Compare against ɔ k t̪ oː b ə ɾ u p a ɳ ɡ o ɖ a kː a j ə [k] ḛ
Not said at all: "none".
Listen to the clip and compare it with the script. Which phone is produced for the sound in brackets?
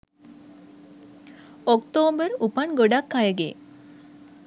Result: ɡ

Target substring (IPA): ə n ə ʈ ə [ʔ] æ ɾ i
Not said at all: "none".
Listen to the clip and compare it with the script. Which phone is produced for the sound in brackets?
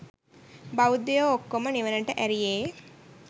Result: ʔ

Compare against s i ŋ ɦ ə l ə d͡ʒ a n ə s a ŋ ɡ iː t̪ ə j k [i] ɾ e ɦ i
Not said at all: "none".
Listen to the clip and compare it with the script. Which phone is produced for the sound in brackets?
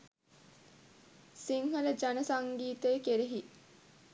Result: e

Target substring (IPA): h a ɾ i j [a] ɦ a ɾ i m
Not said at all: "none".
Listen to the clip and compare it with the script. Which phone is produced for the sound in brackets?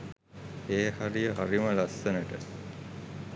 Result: ə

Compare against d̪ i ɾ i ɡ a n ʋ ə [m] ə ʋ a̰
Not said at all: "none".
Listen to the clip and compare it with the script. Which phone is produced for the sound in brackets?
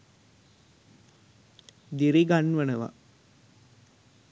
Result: n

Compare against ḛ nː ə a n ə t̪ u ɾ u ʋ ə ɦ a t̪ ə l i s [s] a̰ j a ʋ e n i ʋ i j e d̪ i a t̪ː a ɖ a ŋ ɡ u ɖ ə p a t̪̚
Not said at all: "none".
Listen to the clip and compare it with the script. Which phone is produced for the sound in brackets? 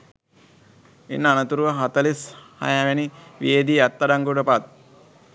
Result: h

